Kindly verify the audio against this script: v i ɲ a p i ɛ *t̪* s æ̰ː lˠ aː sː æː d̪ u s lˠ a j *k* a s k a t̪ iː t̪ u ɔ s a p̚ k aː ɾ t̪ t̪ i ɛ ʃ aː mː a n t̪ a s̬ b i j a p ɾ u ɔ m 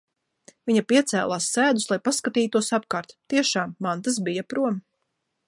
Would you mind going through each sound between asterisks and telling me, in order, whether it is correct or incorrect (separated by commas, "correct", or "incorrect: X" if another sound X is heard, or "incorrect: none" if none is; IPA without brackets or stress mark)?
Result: correct, incorrect: p